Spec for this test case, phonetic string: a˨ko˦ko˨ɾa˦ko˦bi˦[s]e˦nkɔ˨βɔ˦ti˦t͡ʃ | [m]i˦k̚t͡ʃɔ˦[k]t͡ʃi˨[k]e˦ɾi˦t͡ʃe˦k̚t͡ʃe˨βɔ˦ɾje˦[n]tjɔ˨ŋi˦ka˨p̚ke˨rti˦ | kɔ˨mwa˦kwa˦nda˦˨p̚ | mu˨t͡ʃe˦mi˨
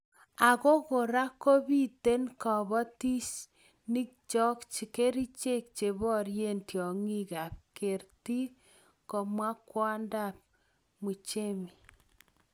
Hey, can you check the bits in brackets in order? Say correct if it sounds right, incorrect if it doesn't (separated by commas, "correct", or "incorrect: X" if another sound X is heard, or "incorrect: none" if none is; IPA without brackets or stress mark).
incorrect: t, incorrect: n, correct, correct, correct